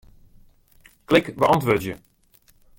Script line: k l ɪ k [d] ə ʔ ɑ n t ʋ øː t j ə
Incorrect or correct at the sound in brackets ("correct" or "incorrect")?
incorrect